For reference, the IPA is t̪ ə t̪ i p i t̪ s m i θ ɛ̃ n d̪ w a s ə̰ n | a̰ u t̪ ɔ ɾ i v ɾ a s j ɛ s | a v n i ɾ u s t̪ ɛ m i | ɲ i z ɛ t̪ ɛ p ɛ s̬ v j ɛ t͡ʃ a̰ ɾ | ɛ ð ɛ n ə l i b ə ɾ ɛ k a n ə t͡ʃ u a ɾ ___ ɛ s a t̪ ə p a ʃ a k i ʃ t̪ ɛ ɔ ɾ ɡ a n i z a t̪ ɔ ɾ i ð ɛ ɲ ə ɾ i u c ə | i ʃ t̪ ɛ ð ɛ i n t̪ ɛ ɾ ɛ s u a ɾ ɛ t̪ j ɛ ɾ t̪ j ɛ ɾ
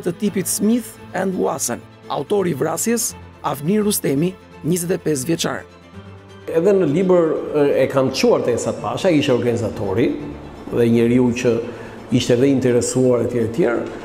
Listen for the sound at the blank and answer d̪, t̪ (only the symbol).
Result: t̪